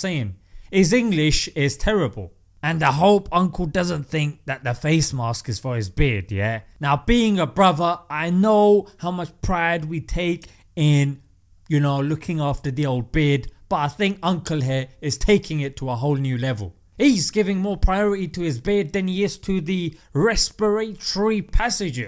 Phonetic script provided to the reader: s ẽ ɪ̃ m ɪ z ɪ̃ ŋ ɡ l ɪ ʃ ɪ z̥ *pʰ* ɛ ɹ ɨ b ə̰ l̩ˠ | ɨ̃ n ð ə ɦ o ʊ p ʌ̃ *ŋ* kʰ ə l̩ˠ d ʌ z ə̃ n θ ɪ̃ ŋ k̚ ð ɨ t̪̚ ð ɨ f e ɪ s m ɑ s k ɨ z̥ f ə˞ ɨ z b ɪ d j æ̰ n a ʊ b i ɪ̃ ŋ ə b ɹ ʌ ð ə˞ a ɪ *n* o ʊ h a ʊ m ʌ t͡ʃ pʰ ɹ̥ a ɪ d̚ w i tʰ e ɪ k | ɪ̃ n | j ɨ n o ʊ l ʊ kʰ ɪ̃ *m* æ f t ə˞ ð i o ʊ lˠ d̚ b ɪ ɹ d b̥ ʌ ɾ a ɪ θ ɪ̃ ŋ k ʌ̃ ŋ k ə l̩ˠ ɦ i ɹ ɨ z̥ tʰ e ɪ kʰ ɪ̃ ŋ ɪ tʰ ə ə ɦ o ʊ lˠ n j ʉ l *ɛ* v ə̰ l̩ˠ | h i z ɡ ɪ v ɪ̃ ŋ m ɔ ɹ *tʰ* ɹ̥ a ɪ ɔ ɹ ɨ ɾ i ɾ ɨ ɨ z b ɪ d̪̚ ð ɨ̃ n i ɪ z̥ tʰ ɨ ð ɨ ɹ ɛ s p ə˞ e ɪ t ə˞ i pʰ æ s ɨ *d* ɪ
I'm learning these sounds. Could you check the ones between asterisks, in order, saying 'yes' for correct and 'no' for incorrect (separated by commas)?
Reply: no, yes, yes, no, yes, no, no